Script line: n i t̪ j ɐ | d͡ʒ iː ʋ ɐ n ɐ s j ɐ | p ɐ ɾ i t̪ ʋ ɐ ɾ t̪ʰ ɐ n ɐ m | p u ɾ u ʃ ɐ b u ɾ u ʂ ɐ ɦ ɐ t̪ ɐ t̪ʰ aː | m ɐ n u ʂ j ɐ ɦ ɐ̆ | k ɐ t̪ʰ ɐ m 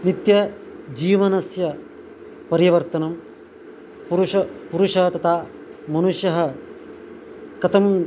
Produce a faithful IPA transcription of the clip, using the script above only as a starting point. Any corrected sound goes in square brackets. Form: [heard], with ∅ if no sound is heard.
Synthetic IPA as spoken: n i t̪ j ɐ | d͡ʒ iː ʋ ɐ n ɐ s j ɐ | p ɐ ɾ i [∅] ʋ ɐ ɾ [t̪] ɐ n ɐ m | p u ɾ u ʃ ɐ [p] u ɾ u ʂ ɐ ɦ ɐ t̪ ɐ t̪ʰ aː | m ɐ n u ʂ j ɐ ɦ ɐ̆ | k ɐ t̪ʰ ɐ m